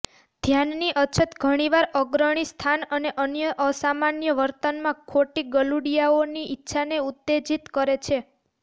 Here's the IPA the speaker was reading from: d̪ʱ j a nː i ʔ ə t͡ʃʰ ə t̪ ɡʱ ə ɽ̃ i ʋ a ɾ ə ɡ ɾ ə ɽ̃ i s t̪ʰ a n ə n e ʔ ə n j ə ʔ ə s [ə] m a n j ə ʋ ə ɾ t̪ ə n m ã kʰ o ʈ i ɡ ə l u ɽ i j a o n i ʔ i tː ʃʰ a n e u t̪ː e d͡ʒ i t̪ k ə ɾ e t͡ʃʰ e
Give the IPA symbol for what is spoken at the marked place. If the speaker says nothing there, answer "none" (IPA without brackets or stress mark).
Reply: a